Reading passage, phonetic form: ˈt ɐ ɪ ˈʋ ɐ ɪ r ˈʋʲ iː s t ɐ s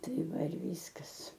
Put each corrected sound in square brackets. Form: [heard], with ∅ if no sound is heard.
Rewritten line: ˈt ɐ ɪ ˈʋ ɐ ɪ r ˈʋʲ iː s [k] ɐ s